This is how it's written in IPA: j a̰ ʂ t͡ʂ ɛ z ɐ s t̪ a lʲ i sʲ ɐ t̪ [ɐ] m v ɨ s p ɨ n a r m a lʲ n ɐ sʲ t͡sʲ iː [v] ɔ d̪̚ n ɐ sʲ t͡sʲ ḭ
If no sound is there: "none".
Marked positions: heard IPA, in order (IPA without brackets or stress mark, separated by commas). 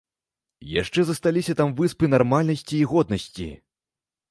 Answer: a, ɣ